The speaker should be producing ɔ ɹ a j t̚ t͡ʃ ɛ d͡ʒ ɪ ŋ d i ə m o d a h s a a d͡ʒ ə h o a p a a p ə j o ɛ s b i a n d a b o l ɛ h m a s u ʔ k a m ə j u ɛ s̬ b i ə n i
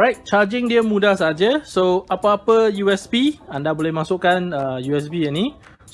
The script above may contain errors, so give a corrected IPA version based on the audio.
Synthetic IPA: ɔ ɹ a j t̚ t͡ʃ a d͡ʒ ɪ ŋ d i ə m u d a h s a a d͡ʒ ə s o a p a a p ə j u ɛ s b i a n d a b o l ɛ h m a s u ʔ k a n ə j u ɛ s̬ b i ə n i